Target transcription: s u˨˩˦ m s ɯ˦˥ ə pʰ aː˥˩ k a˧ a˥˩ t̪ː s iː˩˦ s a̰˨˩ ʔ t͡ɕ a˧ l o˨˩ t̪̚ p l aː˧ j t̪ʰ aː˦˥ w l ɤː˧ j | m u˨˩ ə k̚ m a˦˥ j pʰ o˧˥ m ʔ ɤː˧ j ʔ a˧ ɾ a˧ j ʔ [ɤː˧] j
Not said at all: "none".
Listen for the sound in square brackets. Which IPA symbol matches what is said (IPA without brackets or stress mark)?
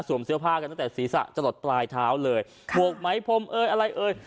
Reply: ɤː˧